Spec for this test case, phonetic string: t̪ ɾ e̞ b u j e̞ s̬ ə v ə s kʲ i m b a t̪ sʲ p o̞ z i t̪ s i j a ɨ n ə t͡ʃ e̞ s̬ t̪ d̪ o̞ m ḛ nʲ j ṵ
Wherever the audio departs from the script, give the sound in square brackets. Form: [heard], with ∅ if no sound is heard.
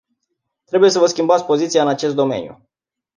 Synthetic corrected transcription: t̪ ɾ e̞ b u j e̞ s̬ ə v ə s kʲ i m b a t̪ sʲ p o̞ z i t̪ s i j a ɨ n [a] t͡ʃ e̞ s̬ t̪ d̪ o̞ m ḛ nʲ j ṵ